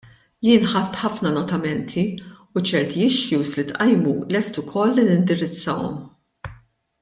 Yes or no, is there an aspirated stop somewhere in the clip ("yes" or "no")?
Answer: yes